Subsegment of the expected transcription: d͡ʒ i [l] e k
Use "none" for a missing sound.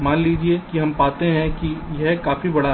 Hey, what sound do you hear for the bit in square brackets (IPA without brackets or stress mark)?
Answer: none